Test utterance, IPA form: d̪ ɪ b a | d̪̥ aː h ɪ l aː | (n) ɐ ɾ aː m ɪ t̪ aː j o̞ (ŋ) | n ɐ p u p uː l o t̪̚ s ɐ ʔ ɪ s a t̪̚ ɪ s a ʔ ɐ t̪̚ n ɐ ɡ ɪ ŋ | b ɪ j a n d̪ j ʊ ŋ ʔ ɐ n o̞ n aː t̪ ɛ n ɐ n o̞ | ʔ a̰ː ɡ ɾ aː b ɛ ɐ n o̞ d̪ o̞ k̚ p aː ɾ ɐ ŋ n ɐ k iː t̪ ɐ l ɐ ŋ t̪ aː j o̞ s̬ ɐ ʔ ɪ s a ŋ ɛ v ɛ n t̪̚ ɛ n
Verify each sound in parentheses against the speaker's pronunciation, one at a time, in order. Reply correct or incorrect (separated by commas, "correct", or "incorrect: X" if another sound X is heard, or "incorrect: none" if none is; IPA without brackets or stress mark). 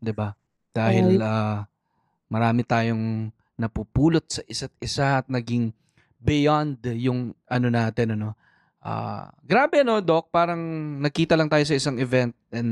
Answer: incorrect: m, correct